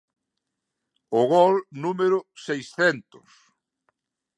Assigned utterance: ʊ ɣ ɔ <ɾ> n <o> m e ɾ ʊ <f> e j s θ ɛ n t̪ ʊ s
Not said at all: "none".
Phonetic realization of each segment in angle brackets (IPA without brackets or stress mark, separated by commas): l, u, s